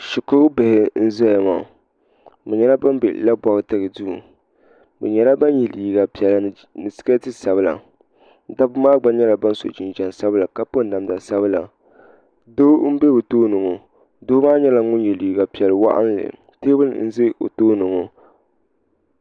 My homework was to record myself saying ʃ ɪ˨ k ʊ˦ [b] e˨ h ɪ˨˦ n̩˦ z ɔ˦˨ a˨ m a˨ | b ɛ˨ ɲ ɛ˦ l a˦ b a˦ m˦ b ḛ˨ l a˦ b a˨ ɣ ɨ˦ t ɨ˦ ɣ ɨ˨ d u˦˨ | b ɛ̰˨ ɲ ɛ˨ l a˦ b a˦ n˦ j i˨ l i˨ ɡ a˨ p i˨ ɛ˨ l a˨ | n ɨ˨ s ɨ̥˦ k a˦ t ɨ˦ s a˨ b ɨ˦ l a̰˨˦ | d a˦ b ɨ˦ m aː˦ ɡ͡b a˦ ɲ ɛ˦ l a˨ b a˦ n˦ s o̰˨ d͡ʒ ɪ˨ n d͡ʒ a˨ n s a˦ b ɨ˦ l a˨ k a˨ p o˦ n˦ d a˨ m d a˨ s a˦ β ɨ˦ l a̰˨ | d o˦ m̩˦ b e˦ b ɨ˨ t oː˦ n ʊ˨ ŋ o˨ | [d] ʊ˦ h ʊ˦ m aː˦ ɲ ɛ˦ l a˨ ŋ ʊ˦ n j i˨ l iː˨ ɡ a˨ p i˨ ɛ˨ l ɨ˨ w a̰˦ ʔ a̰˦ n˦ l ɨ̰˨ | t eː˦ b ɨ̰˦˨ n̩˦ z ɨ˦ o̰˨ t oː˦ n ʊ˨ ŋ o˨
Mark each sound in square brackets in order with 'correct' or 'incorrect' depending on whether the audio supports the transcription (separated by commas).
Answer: correct, correct